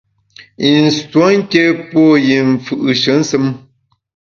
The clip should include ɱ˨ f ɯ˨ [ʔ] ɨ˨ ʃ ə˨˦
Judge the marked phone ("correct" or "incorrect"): correct